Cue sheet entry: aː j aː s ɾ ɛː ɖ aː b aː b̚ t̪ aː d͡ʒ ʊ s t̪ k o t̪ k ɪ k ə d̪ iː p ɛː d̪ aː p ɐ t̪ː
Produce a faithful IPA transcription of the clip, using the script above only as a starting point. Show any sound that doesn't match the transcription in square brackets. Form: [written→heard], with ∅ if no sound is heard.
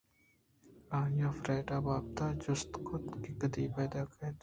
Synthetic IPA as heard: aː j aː [s→f] ɾ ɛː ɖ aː b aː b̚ t̪ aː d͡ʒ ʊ s t̪ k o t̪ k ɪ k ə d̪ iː p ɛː d̪ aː [p→k] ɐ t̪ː